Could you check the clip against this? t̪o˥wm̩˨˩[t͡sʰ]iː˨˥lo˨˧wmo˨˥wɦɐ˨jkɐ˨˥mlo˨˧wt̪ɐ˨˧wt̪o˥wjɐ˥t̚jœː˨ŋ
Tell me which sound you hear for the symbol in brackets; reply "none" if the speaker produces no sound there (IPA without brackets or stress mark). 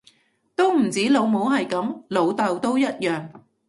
t͡s